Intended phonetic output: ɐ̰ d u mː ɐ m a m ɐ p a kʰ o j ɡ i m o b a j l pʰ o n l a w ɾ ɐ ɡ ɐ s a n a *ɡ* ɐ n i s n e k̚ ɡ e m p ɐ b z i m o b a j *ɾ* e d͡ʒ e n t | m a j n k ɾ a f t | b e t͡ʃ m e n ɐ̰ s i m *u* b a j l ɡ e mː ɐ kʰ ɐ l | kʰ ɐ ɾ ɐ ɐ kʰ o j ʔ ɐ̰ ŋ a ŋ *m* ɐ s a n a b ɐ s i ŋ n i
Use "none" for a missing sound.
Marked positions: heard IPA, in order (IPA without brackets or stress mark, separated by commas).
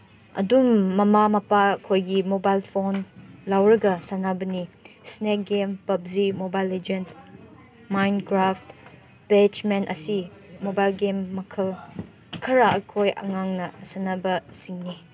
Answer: b, l, o, n